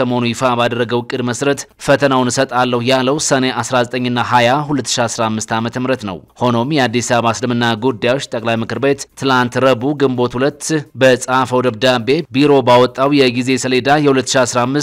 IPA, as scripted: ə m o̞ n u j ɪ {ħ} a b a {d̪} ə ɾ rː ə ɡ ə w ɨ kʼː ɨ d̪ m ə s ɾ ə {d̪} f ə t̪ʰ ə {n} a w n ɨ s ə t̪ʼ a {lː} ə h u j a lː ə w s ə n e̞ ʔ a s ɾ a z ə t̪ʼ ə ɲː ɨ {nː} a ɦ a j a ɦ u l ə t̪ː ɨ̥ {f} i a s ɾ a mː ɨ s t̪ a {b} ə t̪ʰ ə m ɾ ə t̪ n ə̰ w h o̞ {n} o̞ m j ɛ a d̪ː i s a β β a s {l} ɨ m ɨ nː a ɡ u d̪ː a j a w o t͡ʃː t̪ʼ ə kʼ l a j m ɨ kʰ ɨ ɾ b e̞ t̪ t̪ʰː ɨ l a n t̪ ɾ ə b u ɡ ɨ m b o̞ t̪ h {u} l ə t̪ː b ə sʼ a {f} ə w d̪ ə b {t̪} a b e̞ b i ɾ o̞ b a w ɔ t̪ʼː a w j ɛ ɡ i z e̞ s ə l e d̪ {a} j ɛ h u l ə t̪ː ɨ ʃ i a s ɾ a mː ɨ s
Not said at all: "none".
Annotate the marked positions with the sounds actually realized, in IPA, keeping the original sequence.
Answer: f, d̪, t̪, n, lː, nː, ʃ, m, n, l, u, f, d̪, a

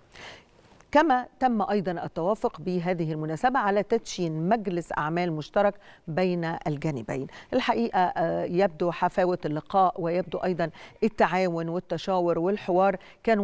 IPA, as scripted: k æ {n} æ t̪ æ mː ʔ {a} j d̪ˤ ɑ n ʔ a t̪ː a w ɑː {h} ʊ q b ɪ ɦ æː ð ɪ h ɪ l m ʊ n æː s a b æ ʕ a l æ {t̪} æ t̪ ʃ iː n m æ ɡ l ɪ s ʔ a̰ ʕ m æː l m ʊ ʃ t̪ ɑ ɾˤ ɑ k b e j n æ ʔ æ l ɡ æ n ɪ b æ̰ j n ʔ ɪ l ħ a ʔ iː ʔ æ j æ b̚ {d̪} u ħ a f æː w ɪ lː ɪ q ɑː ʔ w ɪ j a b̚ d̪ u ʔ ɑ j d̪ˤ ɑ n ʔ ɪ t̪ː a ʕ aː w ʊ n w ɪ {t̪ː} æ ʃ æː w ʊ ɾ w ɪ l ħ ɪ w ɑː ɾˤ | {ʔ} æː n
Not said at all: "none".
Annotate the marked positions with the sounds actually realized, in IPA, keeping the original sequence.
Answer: m, ɑ, f, t̪, d̪, t̪ː, k

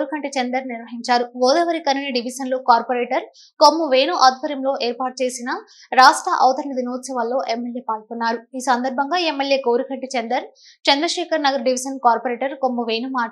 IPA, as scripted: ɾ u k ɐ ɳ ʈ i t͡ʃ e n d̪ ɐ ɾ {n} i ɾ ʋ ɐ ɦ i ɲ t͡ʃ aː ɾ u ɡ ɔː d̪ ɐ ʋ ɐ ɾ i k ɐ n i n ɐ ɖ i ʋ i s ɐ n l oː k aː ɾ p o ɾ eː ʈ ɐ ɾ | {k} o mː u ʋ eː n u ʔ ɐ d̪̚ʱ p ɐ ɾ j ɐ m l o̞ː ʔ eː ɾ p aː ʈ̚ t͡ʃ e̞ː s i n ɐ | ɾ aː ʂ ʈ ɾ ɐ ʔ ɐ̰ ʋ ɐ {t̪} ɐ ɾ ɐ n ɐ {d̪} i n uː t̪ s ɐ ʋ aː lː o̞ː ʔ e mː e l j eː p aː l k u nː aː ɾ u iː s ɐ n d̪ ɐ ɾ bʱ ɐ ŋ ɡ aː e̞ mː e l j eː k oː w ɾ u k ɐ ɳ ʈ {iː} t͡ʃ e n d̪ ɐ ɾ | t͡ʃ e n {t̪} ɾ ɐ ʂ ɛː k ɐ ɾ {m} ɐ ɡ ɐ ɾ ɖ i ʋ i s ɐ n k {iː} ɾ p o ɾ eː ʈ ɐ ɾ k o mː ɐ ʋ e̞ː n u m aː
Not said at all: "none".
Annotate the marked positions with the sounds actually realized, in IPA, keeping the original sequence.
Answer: n, k, t̪, d̪, i, d̪, n, aː

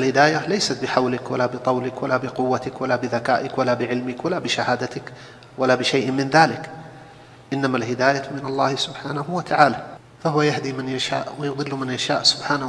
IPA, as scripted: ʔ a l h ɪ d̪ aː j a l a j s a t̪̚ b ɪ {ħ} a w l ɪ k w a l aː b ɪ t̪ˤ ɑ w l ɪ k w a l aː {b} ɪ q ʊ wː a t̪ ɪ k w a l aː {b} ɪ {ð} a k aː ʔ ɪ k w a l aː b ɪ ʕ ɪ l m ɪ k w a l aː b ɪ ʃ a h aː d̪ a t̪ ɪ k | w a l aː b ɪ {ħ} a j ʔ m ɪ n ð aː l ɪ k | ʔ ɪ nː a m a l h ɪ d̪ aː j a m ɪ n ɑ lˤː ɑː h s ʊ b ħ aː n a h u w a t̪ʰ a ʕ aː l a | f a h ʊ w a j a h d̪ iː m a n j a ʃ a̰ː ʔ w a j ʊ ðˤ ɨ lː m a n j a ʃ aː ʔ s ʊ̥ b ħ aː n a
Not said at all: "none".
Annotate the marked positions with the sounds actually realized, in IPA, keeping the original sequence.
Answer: ħ, b, b, ð, ʃ

